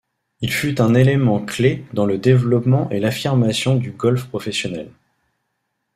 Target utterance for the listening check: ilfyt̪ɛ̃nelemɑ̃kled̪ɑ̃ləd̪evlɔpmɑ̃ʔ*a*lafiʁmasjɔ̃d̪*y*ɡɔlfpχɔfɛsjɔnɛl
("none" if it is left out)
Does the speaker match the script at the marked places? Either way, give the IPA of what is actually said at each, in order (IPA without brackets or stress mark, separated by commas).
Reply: e, y